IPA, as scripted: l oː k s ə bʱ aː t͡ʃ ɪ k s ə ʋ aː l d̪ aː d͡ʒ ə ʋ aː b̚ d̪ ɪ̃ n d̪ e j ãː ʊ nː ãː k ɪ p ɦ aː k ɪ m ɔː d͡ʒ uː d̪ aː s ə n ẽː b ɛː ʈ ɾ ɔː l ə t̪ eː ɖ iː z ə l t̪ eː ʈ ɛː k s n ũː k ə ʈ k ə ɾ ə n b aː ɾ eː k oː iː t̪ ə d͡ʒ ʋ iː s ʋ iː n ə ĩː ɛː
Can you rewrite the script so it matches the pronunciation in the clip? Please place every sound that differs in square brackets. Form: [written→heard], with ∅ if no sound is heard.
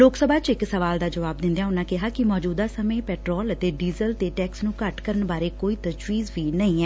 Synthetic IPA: l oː k s ə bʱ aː t͡ʃ ɪ k s ə ʋ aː l d̪ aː d͡ʒ ə ʋ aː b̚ d̪ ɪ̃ n d̪ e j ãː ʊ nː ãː k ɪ [p→∅] ɦ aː k ɪ m ɔː d͡ʒ uː d̪ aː s ə [n→m] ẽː [b→p] ɛː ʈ ɾ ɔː l ə t̪ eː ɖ iː z ə l t̪ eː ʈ ɛː k s n ũː k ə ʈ k ə ɾ ə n b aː ɾ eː k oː iː t̪ ə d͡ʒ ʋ iː [s→z] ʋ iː n ə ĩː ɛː